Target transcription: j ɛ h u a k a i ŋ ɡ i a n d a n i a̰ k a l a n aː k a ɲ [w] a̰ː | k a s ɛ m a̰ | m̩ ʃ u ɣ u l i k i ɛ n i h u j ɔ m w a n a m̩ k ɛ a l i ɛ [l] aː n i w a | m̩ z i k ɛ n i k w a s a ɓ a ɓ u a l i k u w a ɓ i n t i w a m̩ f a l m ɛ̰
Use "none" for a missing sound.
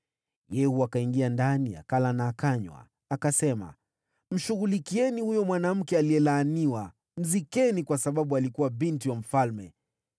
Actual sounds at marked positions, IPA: w, l

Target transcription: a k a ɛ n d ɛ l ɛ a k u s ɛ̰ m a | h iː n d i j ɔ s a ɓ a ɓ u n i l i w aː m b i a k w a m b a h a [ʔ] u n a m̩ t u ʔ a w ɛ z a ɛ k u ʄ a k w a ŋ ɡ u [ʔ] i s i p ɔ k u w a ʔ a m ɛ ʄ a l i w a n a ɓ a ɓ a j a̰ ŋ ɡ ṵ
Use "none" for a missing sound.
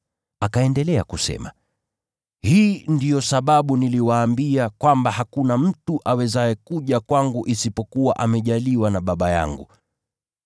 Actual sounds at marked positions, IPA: k, ʔ

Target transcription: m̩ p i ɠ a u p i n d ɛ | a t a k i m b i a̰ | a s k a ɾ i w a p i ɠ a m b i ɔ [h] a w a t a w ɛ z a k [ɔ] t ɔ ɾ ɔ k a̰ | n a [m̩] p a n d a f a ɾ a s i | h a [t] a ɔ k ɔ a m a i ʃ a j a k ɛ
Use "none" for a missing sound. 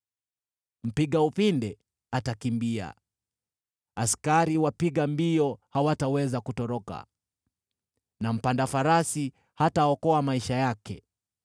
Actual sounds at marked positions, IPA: h, u, m̩, t

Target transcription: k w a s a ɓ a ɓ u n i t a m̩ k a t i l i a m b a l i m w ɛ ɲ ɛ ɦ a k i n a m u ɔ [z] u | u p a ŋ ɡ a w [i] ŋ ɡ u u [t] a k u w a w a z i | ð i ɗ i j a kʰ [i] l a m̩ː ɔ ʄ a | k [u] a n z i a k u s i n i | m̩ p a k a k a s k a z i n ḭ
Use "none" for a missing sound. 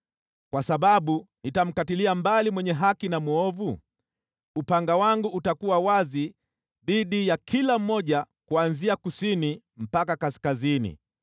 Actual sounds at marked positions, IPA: v, a, t, i, u

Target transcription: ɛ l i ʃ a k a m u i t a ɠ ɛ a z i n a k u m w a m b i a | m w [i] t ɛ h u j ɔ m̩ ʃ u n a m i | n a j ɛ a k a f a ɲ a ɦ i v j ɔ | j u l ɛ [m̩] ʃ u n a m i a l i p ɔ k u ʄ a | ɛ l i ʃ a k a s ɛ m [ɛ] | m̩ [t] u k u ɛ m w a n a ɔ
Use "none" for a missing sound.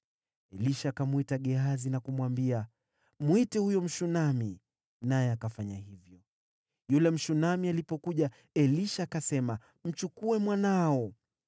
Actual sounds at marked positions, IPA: i, m̩, a, t͡ʃ

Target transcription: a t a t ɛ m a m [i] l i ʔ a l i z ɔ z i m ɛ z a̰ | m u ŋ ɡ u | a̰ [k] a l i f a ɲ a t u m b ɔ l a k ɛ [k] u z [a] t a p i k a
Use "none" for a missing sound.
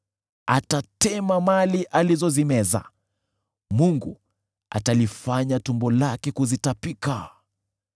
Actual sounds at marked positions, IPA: a, t, k, i

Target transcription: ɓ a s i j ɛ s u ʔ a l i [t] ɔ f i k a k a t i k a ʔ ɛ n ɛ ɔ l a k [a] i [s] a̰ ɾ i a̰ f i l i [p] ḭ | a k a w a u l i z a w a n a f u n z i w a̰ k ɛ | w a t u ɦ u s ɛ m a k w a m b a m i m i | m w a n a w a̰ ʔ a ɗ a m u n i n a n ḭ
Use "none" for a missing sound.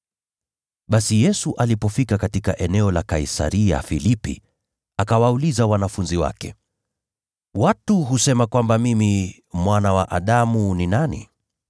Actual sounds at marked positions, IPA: p, a, s, p

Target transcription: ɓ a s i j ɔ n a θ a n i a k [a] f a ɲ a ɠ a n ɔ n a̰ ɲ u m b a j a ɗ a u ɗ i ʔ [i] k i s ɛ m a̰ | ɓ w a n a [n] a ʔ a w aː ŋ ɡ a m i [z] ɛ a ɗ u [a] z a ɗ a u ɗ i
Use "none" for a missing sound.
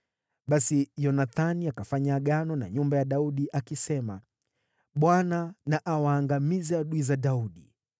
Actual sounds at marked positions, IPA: a, a, n, z, i

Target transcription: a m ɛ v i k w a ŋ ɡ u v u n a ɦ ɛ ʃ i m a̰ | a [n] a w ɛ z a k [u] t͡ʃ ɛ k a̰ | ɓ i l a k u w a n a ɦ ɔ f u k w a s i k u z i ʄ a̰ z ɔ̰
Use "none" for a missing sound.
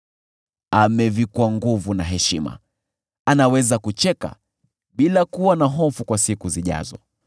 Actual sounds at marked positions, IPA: n, u

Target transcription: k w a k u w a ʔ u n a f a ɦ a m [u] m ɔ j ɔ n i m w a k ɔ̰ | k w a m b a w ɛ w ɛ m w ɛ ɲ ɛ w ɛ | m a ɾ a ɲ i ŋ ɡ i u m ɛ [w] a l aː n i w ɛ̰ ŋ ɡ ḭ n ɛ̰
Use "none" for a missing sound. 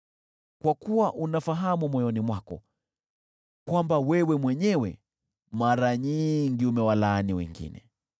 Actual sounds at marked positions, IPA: u, w

